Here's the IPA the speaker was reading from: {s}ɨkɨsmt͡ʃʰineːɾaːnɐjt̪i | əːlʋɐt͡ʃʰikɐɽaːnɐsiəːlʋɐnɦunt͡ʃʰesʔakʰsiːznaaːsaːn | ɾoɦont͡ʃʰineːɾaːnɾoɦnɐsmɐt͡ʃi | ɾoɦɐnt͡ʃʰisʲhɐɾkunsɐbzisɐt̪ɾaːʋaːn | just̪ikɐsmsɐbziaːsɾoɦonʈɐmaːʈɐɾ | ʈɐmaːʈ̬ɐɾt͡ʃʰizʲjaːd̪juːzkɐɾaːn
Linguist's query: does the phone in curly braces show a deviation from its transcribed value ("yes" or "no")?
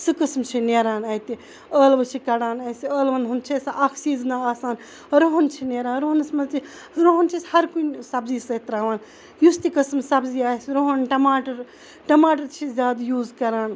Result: no